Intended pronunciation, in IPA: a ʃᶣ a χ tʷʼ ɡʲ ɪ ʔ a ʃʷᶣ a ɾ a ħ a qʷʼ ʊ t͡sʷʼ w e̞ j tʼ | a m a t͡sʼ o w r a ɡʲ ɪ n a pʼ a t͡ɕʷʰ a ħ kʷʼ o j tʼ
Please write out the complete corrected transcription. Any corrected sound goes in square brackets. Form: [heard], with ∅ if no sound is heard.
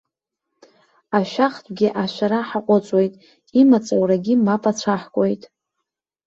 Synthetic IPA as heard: a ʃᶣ a χ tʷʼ ɡʲ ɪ ʔ a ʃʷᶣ a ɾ a ħ a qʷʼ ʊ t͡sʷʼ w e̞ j tʼ | [i] m a t͡sʼ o w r a ɡʲ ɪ [m] a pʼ a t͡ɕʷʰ a ħ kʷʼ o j tʼ